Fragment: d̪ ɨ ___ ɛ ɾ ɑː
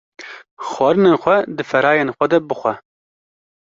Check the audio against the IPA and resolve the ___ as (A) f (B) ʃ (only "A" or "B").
A